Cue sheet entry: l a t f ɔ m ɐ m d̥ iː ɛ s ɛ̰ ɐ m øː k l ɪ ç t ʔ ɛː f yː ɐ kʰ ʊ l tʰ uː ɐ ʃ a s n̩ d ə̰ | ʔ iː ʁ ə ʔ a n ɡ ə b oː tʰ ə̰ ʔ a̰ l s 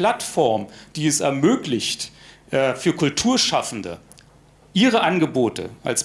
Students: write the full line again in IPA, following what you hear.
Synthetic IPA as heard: l a t f ɔ ɐ m d̥ iː ɛ s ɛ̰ ɐ m øː k l ɪ ç t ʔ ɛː f yː ɐ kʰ ʊ l tʰ uː ɐ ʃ a f n̩ d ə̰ | ʔ iː ʁ ə ʔ a n ɡ ə b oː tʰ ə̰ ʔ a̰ l s